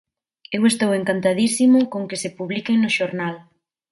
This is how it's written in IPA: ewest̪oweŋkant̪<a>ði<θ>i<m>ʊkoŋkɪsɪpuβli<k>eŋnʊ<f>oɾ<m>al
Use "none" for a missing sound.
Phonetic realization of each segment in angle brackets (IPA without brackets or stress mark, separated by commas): a, s, m, k, ʃ, n